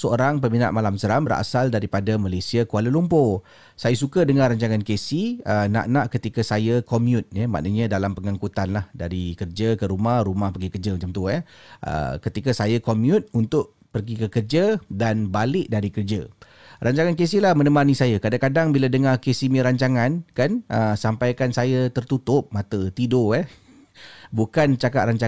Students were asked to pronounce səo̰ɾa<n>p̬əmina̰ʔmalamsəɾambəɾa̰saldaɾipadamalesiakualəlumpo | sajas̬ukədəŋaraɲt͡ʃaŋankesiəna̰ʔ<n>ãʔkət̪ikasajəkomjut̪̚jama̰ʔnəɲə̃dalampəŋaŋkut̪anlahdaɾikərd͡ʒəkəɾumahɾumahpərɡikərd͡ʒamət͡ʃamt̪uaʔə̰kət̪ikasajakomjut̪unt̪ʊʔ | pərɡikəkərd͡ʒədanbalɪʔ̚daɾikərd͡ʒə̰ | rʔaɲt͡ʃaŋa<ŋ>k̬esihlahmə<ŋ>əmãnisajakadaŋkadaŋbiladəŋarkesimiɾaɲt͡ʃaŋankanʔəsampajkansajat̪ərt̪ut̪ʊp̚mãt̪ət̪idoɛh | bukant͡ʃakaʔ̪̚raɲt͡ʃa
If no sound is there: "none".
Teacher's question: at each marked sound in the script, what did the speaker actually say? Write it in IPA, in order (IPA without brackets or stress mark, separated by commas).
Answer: ŋ, n, n, n